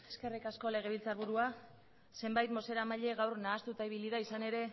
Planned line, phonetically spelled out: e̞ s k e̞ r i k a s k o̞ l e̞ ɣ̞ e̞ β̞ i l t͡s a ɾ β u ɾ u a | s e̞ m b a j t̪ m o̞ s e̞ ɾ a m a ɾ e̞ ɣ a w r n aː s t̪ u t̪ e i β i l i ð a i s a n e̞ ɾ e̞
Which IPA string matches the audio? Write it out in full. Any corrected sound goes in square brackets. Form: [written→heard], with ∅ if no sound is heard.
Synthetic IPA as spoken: e̞ s k e̞ r i k a s k o̞ l e̞ ɣ̞ e̞ β̞ i l t͡s a ɾ β u ɾ u a | s e̞ m b a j t̪ m o̞ s e̞ ɾ a m a [ɾ→ʎ] e̞ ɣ a w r n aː s t̪ u t̪ [e→a] i β i l i ð a i s a n e̞ ɾ e̞